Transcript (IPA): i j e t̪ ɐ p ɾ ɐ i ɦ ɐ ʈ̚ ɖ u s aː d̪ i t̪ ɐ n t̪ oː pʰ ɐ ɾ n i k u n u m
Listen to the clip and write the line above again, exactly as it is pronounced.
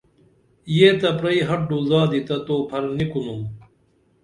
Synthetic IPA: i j e t̪ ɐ p ɾ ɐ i ɦ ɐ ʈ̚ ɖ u z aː d̪ i t̪ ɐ t̪ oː pʰ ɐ ɾ n i k u n u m